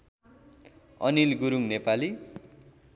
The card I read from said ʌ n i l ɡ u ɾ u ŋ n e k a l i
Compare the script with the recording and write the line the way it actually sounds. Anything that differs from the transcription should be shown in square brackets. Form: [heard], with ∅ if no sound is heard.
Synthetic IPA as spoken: ʌ n i l ɡ u ɾ u ŋ n e [p] a l i